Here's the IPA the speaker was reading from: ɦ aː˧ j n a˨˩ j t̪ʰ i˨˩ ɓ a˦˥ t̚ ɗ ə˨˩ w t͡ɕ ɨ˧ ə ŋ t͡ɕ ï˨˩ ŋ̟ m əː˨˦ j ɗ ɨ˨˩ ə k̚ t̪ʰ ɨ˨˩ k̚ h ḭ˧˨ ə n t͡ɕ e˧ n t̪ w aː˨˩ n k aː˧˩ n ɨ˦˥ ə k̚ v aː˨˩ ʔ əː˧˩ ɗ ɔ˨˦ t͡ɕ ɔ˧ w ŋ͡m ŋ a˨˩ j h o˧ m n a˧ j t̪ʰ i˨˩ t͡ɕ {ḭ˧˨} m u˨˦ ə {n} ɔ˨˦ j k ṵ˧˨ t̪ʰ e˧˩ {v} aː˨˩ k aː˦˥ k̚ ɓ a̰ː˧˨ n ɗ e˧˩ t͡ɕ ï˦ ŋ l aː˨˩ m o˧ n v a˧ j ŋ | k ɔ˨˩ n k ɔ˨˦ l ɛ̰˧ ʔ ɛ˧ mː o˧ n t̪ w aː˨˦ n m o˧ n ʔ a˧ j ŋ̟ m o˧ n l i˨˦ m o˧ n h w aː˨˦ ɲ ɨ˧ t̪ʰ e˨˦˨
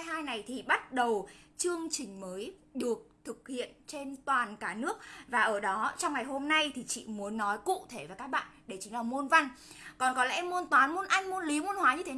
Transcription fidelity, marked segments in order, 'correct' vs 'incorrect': correct, incorrect: nː, correct

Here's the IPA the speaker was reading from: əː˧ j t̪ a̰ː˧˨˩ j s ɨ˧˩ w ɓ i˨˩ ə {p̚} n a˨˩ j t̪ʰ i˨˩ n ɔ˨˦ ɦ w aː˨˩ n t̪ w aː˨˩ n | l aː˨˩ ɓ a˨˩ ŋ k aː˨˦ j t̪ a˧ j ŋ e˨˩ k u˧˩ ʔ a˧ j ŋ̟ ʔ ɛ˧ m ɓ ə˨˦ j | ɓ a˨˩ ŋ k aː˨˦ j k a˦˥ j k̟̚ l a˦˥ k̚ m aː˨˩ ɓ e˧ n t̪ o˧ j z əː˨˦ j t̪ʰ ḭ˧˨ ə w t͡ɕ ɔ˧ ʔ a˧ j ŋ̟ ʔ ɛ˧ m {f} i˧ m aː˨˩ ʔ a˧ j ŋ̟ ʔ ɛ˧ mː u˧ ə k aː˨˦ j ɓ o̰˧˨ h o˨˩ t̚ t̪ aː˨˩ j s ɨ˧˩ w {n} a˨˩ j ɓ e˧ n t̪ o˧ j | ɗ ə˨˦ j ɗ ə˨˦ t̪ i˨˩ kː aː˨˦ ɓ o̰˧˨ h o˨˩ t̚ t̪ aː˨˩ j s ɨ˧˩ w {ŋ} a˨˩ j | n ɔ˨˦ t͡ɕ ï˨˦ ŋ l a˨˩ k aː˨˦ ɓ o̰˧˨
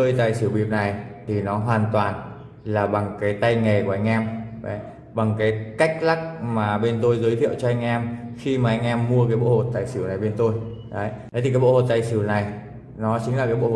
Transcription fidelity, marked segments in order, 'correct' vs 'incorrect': correct, incorrect: x, correct, incorrect: n

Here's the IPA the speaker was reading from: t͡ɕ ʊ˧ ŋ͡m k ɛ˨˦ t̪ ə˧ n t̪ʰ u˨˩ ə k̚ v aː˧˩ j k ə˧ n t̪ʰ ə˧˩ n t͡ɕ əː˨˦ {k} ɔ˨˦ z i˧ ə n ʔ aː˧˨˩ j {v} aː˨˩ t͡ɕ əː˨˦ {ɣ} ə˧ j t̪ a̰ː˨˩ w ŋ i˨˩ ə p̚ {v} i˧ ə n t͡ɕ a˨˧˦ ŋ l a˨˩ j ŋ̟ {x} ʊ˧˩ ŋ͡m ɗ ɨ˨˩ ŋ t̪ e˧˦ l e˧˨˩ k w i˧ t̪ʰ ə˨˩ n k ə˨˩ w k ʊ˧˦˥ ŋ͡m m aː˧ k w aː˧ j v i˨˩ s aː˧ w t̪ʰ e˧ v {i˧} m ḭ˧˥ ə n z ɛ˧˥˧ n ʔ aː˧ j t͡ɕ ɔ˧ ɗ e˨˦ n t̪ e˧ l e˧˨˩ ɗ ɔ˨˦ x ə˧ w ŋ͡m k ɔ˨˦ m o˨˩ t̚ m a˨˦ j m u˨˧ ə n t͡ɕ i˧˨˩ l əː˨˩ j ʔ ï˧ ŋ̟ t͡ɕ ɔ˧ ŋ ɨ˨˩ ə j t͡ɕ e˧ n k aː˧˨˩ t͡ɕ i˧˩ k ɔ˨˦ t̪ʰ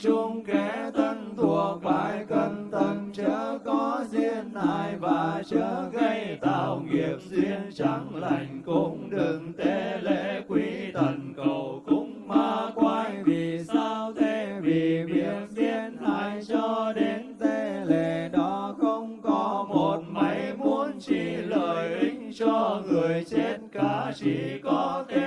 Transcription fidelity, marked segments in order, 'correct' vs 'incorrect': correct, correct, correct, incorrect: z, incorrect: k, incorrect: i˨˩

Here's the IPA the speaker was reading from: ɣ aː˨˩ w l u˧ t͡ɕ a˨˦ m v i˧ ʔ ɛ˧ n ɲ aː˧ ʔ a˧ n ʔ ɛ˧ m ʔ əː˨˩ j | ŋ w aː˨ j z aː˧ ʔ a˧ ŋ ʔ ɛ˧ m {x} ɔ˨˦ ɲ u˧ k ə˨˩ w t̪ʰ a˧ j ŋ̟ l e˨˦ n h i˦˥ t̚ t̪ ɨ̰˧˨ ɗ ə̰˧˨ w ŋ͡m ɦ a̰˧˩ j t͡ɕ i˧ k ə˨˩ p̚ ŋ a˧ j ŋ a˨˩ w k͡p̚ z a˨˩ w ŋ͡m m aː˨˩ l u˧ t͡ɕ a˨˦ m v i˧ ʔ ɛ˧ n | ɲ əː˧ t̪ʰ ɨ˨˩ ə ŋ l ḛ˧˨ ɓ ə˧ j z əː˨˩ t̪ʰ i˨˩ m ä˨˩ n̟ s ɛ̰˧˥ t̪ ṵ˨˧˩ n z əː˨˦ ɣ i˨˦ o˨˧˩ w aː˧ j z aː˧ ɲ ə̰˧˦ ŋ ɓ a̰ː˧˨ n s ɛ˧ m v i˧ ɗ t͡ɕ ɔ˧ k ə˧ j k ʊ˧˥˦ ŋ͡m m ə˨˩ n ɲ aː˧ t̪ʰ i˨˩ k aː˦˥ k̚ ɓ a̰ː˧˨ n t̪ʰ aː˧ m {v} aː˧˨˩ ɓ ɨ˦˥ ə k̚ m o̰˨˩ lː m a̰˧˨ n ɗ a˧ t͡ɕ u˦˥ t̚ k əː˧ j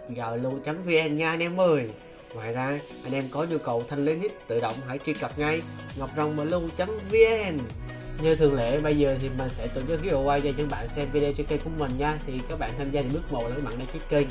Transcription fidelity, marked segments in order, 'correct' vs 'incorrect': incorrect: k, incorrect: z

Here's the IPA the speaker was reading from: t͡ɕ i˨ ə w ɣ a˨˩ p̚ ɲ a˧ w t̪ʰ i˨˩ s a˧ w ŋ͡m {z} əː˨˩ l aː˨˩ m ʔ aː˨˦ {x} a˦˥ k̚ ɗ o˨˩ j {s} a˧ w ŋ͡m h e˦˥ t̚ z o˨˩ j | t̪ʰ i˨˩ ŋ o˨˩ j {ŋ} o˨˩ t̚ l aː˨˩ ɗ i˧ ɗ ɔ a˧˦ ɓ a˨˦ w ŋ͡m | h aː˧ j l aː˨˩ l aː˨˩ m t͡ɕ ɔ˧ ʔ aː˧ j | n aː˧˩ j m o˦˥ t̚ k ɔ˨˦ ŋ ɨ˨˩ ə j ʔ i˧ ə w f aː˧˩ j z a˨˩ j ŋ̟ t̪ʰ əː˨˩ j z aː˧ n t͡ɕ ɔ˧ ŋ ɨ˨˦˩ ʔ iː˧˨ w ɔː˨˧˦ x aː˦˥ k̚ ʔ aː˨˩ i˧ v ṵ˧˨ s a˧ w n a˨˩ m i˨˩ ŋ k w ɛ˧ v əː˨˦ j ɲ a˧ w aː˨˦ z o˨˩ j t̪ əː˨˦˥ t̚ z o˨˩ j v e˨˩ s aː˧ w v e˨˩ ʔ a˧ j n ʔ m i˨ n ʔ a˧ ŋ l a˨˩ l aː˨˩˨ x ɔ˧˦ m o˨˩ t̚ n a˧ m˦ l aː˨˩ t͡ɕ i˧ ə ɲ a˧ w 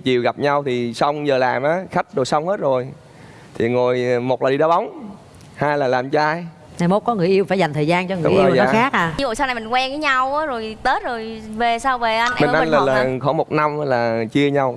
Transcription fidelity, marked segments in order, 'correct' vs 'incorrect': correct, correct, correct, incorrect: m

